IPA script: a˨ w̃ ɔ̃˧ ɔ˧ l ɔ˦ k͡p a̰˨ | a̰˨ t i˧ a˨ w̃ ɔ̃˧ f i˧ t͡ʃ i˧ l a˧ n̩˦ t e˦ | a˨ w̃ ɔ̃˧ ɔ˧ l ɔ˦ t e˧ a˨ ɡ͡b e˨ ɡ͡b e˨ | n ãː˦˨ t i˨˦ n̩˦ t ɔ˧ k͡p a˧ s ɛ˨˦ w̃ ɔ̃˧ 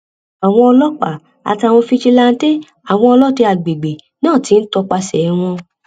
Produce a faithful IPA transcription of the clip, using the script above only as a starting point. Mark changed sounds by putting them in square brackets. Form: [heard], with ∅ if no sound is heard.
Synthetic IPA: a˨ w̃ ɔ̃˧ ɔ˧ l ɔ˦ k͡p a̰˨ | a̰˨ t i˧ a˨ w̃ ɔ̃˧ f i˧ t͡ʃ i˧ l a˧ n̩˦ t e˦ | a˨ w̃ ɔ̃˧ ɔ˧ l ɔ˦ t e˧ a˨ ɡ͡b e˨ ɡ͡b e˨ | n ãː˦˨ t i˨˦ n̩˦ t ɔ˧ k͡p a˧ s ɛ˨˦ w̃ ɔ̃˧